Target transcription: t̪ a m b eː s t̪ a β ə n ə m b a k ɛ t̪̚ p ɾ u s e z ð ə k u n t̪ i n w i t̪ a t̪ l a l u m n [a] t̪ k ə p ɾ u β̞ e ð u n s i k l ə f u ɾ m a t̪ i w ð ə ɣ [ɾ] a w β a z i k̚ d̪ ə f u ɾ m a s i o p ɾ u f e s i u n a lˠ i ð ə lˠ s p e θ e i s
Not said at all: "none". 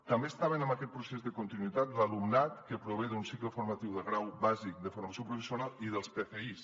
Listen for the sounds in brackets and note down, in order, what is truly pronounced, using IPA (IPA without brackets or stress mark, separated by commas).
a, ɾ